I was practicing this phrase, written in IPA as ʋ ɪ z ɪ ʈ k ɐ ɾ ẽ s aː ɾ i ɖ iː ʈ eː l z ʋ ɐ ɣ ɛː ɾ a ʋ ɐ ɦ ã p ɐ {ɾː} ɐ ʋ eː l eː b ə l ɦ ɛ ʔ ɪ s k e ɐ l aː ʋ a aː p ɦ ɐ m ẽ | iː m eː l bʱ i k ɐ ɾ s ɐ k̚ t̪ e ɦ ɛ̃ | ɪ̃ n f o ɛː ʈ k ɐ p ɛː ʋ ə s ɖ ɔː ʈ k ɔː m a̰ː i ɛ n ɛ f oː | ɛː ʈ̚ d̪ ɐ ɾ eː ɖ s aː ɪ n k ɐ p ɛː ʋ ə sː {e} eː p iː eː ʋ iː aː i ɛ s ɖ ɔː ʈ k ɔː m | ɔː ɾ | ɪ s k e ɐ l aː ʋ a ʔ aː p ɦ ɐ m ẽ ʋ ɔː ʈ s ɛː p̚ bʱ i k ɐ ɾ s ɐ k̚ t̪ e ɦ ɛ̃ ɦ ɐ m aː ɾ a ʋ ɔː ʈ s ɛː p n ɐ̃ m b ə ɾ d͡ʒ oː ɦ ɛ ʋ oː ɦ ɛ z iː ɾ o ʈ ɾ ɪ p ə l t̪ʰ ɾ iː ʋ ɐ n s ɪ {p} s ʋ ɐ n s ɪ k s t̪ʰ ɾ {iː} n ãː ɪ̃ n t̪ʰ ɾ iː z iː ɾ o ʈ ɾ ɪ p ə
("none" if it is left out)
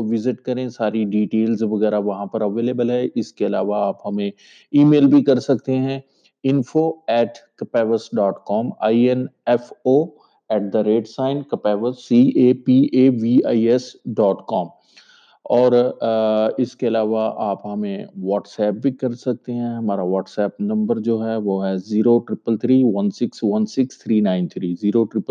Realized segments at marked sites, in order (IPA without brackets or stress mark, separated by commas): ɾ, i, k, iː